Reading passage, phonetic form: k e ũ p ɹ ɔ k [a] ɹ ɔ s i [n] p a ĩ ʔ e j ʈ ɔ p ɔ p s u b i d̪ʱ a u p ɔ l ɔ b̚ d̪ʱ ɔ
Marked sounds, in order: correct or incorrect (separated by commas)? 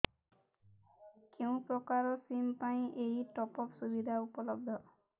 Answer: correct, incorrect